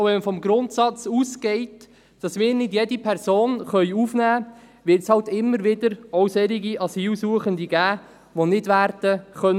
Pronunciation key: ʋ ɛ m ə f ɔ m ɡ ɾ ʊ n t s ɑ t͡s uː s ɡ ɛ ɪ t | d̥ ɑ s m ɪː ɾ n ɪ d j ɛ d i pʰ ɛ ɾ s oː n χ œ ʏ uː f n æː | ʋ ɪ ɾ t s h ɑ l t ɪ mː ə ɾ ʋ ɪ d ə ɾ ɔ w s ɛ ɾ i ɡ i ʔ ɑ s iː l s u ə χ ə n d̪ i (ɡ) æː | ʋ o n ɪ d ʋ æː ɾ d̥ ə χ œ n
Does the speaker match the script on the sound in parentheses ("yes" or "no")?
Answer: yes